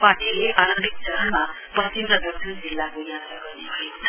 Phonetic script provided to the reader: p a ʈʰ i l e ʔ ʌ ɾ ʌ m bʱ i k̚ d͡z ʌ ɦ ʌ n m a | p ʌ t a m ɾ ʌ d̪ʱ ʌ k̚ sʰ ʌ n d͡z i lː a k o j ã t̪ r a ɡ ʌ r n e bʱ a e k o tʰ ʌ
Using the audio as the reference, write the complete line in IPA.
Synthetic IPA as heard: p a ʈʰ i l e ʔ a ɾ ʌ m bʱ i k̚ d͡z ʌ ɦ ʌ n m a | p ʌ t i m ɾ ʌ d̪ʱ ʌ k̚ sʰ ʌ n d͡z i lː a k o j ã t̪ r a ɡ ʌ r n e bʱ ʌ e k o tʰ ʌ